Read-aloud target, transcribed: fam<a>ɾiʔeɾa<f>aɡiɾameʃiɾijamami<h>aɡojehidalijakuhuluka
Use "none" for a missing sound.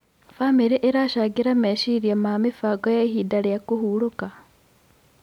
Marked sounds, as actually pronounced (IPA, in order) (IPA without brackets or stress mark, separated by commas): i, ʃ, f